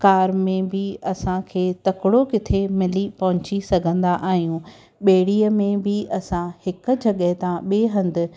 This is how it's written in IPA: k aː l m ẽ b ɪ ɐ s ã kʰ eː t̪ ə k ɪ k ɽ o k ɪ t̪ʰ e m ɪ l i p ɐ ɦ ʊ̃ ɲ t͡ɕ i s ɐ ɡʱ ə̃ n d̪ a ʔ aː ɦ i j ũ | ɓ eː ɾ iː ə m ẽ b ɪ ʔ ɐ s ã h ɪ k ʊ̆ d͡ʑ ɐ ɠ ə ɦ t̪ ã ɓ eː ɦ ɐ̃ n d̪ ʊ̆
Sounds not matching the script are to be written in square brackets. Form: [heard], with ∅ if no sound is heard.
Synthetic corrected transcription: k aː [ɾ] m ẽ b ɪ ɐ s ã kʰ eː t̪ [ɐ] k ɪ [∅] ɽ o k ɪ t̪ʰ e m ɪ l i p ɐ ɦ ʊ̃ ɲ t͡ɕ i s ɐ ɡʱ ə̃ n d̪ a ʔ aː ɦ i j ũ | ɓ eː [ɽ] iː ə m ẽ b ɪ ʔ ɐ s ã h ɪ k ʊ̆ d͡ʑ ɐ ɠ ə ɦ t̪ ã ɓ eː ɦ ɐ̃ n d̪ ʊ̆